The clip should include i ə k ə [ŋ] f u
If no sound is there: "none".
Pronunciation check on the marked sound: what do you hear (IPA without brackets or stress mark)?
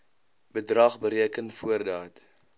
n